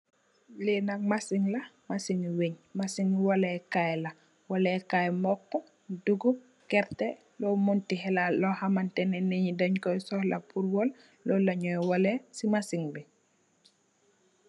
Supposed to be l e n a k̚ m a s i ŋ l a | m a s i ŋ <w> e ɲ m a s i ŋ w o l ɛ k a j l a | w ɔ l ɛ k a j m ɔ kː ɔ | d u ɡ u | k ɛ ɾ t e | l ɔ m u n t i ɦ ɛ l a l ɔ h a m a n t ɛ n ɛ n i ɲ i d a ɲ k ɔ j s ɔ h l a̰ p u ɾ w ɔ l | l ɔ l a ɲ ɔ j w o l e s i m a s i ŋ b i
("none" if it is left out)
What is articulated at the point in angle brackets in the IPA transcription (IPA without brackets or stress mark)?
w